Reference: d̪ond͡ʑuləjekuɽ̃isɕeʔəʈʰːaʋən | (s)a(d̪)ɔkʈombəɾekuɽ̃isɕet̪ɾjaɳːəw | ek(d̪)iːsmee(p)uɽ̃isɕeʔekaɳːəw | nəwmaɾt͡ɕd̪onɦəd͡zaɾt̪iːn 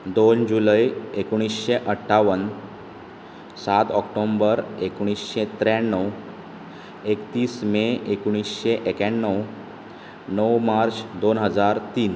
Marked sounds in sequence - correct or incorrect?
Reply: correct, incorrect, incorrect, incorrect

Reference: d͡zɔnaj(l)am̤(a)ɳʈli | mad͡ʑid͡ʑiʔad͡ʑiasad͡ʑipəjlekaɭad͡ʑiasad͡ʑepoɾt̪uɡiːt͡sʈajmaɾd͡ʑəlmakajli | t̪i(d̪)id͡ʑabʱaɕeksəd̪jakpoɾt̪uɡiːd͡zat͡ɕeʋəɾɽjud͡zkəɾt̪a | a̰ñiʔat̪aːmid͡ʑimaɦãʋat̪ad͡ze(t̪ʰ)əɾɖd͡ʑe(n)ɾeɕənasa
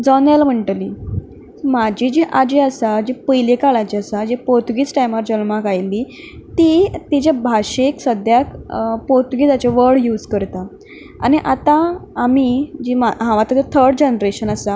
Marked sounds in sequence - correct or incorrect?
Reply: correct, incorrect, incorrect, correct, correct

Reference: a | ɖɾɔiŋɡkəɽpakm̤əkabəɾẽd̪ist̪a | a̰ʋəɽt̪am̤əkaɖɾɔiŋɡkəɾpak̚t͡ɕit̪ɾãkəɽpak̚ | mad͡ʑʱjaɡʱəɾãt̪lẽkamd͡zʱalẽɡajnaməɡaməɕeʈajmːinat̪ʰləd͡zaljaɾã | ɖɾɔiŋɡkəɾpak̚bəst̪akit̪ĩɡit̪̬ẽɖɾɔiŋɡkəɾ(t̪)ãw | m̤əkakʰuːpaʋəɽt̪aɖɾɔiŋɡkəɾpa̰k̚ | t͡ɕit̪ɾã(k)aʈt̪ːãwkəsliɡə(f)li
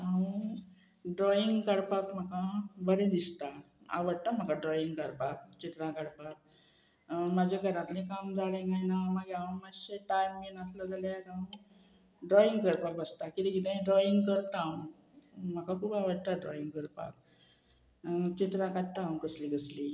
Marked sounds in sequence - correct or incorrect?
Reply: correct, correct, incorrect

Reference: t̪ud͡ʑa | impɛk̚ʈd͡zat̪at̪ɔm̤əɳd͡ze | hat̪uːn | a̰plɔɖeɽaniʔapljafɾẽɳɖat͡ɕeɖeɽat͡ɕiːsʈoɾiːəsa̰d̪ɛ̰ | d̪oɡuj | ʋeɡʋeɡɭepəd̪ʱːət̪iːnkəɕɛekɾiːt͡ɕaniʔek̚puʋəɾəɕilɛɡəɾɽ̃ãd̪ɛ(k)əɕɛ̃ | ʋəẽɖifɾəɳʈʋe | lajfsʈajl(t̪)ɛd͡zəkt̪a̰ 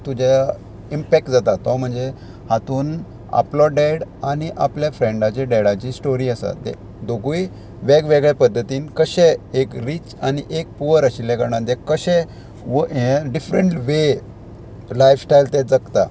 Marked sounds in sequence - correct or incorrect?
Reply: correct, correct

